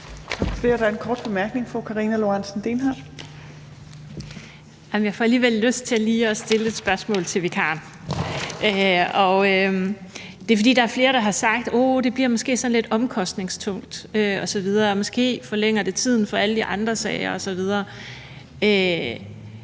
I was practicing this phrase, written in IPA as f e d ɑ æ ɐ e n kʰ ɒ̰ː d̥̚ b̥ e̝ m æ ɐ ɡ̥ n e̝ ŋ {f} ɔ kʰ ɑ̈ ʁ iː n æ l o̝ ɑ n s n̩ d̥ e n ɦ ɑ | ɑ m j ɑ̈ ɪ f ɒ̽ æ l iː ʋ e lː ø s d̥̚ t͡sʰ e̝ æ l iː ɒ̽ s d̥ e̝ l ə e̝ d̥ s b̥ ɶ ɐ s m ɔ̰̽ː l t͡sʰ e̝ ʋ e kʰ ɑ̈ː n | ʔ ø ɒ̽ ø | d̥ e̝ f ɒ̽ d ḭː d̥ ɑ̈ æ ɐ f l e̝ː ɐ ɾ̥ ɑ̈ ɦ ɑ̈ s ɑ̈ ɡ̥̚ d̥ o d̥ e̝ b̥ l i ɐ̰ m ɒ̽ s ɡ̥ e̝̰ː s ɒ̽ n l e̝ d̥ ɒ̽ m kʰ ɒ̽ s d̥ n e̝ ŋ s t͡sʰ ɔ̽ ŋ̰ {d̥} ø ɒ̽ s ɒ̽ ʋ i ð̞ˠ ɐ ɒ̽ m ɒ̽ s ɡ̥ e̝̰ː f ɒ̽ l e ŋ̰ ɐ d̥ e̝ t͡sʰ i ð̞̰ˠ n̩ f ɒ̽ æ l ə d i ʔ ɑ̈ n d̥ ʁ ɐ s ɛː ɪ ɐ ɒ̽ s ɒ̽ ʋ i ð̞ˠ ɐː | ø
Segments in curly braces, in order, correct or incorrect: correct, correct

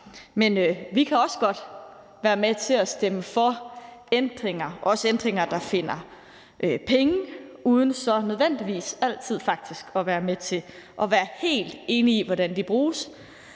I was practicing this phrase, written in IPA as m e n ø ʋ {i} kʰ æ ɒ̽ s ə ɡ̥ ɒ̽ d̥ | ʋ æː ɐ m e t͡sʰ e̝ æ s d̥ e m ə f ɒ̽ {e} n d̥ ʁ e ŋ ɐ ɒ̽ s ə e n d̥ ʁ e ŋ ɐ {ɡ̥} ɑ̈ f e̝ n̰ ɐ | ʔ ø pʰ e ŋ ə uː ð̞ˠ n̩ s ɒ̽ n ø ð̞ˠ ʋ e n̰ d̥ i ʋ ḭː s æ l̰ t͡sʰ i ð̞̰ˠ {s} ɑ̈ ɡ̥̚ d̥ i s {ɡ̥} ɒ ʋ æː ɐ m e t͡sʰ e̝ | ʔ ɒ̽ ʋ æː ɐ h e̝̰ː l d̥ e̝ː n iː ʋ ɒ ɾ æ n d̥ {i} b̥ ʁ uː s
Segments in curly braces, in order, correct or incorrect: correct, correct, incorrect: d̥, incorrect: f, correct, correct

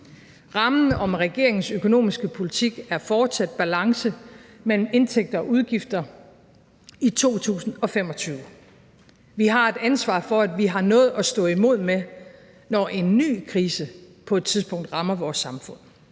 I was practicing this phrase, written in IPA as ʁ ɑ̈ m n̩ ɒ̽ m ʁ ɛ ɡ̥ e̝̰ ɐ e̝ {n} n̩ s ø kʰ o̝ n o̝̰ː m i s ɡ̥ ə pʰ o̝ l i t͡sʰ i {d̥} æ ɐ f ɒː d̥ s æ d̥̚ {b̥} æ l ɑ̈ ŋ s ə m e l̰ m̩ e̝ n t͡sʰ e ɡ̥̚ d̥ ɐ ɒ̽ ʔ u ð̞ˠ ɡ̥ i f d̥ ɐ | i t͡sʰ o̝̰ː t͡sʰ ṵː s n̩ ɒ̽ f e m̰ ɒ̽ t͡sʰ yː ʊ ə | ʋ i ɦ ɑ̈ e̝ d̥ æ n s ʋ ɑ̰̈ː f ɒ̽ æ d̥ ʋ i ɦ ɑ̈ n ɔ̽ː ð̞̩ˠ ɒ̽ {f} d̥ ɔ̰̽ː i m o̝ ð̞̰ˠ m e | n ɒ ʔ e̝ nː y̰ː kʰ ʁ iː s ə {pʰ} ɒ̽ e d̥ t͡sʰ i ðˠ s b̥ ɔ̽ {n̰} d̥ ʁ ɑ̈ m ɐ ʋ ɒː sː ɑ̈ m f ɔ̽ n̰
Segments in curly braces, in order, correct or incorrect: incorrect: ŋ, incorrect: ɡ̥, correct, incorrect: s, correct, incorrect: ŋ̰

